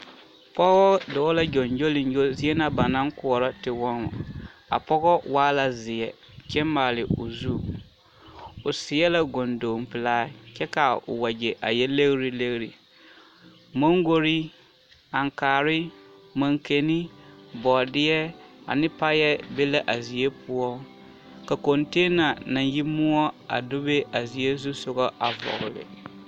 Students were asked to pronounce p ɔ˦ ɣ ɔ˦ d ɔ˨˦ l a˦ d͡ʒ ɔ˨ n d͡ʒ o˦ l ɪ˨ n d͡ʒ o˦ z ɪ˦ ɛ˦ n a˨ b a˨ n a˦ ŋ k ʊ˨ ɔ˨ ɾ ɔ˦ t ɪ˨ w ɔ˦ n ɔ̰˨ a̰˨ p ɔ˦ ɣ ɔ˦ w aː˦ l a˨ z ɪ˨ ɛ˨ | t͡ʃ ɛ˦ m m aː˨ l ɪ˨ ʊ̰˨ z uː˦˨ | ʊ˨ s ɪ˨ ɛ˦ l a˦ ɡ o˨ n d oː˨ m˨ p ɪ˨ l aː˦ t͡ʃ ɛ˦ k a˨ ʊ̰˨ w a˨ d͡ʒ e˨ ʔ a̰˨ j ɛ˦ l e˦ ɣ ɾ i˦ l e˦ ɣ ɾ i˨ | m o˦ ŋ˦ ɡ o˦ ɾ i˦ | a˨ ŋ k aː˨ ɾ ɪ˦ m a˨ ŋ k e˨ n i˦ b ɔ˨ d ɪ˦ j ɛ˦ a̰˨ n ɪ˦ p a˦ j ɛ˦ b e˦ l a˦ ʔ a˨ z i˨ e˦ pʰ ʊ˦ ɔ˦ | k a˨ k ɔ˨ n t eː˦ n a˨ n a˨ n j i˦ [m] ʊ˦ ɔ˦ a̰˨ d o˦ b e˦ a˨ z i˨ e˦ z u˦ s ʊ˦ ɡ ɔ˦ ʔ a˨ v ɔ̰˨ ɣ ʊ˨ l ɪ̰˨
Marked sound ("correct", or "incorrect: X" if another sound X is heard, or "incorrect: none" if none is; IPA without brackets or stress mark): correct